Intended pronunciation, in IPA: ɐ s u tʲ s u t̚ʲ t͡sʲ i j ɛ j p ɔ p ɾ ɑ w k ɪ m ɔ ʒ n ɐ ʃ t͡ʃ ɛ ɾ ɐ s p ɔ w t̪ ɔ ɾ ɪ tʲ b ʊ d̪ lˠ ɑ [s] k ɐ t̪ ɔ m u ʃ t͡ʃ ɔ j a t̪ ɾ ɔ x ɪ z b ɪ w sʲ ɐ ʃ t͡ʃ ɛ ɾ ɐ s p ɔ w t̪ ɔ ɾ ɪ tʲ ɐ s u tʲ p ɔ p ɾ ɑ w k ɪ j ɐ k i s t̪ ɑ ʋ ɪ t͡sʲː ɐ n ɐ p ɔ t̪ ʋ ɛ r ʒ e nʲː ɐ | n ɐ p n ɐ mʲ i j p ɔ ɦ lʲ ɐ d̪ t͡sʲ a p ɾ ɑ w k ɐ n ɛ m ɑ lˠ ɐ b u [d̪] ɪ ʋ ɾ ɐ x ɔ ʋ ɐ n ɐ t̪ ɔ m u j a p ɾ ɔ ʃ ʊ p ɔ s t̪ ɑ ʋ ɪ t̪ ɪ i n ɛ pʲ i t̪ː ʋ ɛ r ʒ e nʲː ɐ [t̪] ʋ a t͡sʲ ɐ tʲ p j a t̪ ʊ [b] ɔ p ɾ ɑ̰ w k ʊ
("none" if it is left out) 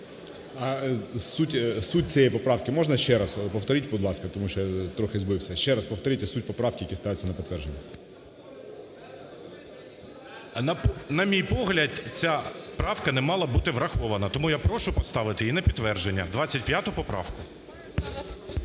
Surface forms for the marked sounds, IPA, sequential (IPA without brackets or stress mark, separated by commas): s, t̪, d̪, p